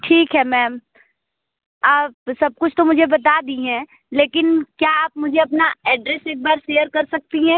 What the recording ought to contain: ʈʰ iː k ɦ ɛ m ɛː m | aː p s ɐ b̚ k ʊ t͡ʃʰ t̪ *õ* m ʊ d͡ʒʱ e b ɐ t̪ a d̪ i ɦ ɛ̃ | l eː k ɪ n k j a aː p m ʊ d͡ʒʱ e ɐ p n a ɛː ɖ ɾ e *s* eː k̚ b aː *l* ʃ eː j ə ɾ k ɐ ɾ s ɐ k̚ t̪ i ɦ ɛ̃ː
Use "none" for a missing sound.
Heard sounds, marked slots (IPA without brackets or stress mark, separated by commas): o, s, ɾ